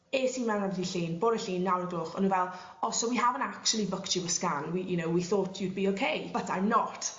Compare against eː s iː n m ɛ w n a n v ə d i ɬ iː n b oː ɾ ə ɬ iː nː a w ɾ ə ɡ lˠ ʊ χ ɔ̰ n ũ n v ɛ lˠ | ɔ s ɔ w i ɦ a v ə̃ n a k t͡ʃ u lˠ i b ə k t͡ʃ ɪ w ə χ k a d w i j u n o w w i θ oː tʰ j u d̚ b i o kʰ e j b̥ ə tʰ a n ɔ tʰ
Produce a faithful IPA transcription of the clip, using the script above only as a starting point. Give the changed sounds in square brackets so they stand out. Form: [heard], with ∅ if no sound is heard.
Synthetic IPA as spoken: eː s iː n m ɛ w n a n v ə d i ɬ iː n b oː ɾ ə ɬ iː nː a w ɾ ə ɡ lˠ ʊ χ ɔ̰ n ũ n v ɛ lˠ | ɔ s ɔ w i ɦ a v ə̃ n a k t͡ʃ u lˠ i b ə k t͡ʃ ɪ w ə [s] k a [n] w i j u n o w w i θ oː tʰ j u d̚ b i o kʰ e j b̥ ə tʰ a n ɔ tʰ